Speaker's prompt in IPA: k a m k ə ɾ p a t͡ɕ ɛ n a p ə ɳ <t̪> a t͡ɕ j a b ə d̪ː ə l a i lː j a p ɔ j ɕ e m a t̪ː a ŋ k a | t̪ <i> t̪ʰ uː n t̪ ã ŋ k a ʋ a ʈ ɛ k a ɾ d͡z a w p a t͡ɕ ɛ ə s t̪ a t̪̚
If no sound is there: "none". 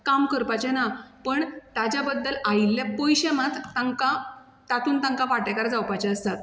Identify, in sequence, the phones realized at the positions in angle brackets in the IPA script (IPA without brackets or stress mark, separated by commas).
t̪, a